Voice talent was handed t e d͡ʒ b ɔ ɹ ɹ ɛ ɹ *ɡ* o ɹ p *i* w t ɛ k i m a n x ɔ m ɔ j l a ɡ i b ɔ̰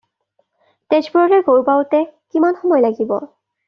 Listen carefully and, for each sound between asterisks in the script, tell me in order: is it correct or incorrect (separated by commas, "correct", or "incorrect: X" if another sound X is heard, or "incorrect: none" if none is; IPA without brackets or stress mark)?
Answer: correct, incorrect: a